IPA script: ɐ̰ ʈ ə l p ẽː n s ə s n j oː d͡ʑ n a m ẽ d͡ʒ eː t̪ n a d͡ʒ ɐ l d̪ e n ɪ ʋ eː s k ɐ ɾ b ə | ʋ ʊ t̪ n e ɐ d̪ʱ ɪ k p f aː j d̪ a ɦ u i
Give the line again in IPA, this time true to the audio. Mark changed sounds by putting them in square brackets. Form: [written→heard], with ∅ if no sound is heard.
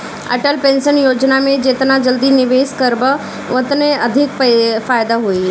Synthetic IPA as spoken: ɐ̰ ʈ ə l p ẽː n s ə [s→∅] n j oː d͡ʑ n a m ẽ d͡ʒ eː t̪ n a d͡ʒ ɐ l d̪ [e→i] n ɪ ʋ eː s k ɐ ɾ b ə | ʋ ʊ t̪ n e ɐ d̪ʱ ɪ k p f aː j d̪ a ɦ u i